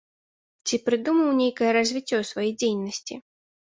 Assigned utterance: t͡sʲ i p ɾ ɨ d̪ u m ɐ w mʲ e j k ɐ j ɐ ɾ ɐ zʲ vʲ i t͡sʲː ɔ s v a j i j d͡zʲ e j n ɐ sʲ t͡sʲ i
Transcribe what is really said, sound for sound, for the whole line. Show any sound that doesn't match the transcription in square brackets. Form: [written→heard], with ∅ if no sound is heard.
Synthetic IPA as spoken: t͡sʲ i p ɾ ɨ d̪ u m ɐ w [mʲ→nʲ] e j k ɐ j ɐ ɾ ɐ zʲ vʲ i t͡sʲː ɔ s v a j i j d͡zʲ e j n ɐ sʲ t͡sʲ i